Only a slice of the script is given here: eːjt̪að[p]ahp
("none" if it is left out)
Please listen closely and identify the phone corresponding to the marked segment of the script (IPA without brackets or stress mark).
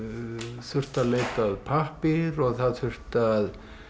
pʰ